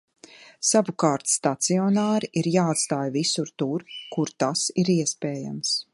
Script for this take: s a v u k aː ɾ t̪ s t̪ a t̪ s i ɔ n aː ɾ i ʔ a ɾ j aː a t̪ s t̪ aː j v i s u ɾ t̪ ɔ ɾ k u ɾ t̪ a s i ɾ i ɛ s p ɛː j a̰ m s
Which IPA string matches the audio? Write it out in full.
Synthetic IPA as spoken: s a v u k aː ɾ t̪ s t̪ a t̪ s i ɔ n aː ɾ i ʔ i ɾ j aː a t̪ s t̪ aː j v i s u ɾ t̪ u ɾ k u ɾ t̪ a s i ɾ i ɛ s p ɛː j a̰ m s

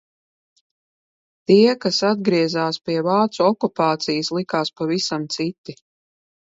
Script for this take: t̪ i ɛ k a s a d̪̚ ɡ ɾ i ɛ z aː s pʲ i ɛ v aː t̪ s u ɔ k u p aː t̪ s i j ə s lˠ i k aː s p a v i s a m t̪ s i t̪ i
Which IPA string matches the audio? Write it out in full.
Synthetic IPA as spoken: t̪ i ɛ k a s a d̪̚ ɡ ɾ i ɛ z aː s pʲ i ɛ v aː t̪ s u ɔ k u p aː t̪ s i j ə s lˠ i k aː s p a v i s a m t̪ s i t̪ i

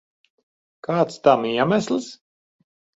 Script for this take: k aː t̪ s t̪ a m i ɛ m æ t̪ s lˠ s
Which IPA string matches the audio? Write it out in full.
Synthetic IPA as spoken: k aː t̪ s t̪ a m i ɛ m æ s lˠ s

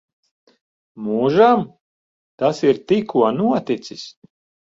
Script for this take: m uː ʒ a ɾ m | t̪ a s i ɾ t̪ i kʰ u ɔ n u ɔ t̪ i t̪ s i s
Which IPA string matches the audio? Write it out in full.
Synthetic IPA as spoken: m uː ʒ a m | t̪ a s i ɾ t̪ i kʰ u ɔ n u ɔ t̪ i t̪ s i s

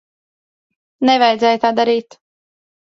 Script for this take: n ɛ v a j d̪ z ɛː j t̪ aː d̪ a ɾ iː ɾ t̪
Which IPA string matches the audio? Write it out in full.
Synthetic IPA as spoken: n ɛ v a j d̪ z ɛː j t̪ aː d̪ a ɾ iː t̪

